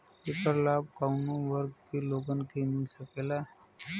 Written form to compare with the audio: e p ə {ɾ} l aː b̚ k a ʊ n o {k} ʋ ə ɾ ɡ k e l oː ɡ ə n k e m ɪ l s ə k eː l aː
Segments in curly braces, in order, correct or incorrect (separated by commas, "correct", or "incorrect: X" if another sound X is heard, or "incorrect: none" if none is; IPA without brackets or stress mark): correct, incorrect: none